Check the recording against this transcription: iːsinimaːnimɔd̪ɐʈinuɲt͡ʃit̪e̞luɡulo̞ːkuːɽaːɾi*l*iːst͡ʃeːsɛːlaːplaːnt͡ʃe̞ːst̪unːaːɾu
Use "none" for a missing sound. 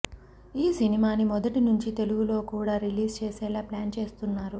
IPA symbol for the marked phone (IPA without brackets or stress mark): l